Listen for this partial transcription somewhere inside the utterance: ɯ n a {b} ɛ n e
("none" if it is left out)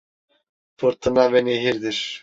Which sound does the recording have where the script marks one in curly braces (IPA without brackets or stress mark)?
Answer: v